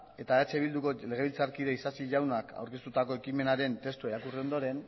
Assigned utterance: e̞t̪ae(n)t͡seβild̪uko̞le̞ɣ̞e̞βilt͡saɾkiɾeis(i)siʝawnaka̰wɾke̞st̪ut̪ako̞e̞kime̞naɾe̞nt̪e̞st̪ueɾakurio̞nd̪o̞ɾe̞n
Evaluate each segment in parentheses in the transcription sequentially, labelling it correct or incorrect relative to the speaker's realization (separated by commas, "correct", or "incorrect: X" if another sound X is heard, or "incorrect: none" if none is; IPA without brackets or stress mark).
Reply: incorrect: none, incorrect: a